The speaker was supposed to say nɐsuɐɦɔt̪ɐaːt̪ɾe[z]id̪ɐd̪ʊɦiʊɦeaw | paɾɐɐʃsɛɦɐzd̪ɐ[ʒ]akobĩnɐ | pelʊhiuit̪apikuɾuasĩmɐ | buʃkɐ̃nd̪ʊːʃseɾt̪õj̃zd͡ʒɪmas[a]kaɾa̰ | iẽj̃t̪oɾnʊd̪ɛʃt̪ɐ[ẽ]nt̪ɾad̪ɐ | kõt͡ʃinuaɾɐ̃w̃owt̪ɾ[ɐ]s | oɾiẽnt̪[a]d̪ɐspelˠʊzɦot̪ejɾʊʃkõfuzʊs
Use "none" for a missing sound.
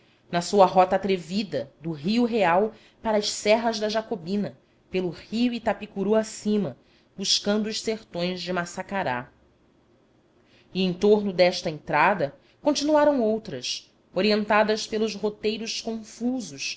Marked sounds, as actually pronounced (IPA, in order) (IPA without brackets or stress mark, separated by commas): v, ʒ, a, ẽ, ɐ, a